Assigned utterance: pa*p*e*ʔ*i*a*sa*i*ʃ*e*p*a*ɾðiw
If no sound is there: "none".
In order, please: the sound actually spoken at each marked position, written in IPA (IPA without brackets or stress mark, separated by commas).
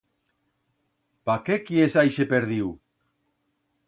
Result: k, k, e, j, e, e